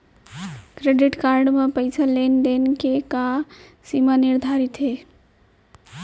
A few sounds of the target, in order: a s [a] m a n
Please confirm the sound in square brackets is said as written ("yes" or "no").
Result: no